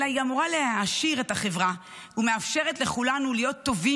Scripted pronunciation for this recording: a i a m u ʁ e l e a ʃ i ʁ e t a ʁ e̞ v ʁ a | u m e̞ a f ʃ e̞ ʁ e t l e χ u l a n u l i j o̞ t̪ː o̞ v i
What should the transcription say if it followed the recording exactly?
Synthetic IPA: a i a m u ʁ a l e a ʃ i ʁ e t a χ e̞ v ʁ a | u m e̞ a f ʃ e̞ ʁ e t l e χ u l a n u l i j o̞ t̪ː o̞ v i